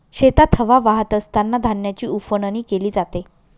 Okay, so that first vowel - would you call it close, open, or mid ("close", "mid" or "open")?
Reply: mid